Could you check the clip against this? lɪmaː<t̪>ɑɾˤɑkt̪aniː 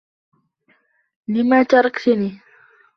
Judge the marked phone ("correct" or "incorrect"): correct